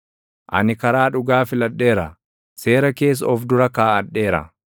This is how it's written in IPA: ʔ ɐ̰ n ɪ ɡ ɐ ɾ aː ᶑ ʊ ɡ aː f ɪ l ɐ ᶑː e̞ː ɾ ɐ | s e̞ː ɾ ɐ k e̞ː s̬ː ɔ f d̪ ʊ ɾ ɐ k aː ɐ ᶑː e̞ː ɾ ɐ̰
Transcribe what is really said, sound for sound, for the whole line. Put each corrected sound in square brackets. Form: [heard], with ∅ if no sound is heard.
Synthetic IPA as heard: ʔ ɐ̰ n ɪ [k] ɐ ɾ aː ᶑ ʊ ɡ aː f ɪ l ɐ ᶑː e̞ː ɾ ɐ | s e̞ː ɾ ɐ k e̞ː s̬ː ɔ f d̪ ʊ ɾ ɐ k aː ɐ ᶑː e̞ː ɾ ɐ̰